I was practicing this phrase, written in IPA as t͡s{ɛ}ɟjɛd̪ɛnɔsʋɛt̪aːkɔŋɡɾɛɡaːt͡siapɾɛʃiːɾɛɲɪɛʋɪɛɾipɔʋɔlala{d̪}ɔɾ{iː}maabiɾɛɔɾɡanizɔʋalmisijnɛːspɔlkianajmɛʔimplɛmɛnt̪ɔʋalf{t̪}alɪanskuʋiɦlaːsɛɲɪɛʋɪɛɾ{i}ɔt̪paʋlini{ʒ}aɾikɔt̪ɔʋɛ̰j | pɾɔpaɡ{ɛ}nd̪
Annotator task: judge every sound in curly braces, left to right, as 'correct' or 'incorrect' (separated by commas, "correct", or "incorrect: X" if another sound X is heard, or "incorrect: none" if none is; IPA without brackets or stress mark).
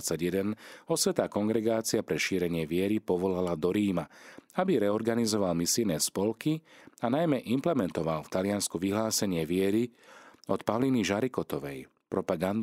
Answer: incorrect: a, correct, correct, correct, correct, correct, incorrect: a